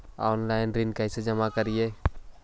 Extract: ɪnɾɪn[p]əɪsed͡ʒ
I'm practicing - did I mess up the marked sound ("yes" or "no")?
yes